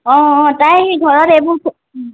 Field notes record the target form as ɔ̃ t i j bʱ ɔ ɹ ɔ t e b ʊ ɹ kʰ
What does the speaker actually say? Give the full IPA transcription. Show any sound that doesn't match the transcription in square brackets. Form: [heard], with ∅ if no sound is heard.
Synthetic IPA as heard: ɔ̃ t [a] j [ɡʱ] ɔ ɹ ɔ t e b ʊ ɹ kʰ